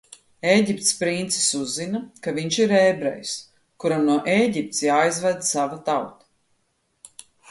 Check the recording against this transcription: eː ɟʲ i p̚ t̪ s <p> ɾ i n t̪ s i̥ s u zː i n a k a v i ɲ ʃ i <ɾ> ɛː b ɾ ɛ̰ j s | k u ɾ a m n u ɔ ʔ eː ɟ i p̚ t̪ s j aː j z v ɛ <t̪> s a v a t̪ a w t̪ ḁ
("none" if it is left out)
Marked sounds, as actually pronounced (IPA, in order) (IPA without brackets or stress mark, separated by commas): p, ɾ, d̪